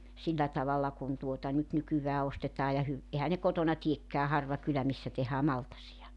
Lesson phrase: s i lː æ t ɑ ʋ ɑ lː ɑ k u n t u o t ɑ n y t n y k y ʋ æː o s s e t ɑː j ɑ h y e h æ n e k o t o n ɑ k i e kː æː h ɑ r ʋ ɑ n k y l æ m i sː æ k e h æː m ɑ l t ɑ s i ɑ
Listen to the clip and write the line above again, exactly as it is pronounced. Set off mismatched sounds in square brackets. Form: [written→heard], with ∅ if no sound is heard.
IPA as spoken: s i lː æ t ɑ ʋ ɑ lː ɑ k u n t u o t ɑ n y t n y k y ʋ æː o s [s→t] e t ɑː j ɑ h y e h æ n e k o t o n ɑ [k→t] i e kː æː h ɑ r ʋ ɑ [n→∅] k y l æ m i sː æ [k→t] e h æː m ɑ l t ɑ s i ɑ